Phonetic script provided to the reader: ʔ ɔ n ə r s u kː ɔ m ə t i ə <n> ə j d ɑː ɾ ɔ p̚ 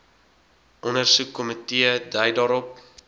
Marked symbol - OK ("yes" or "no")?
no